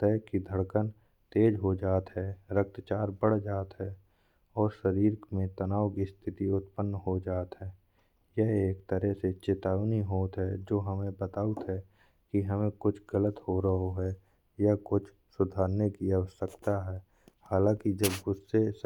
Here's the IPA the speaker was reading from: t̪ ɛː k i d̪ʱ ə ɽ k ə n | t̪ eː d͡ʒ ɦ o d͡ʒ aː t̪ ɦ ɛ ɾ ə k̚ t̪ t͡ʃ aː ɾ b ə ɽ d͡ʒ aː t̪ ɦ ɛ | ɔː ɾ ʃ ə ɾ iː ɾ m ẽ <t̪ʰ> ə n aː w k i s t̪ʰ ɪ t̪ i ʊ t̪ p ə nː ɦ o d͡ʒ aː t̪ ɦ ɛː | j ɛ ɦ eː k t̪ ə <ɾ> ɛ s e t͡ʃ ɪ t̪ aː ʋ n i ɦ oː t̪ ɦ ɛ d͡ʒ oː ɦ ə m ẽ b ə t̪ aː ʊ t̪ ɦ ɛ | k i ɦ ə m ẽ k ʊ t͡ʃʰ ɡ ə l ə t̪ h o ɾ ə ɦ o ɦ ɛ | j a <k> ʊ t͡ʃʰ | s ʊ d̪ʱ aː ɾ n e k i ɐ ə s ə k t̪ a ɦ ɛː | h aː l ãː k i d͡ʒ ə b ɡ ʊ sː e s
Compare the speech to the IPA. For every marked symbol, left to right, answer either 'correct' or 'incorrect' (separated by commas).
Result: incorrect, correct, correct